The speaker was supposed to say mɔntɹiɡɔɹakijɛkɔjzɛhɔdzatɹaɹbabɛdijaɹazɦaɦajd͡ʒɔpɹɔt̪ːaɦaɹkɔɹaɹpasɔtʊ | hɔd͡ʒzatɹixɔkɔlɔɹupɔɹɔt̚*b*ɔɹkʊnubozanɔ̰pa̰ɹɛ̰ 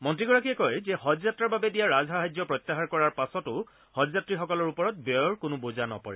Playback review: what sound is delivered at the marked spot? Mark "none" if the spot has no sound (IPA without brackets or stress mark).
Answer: b